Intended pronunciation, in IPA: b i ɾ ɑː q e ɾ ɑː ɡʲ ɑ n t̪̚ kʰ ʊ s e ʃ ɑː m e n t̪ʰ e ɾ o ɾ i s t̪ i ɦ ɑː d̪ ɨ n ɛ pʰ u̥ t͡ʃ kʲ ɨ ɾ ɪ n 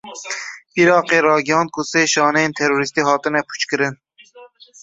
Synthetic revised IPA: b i ɾ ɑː q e ɾ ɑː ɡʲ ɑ n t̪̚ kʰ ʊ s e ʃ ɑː n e n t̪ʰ e ɾ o ɾ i s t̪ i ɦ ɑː t̪ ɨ n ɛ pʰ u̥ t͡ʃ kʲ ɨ ɾ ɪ n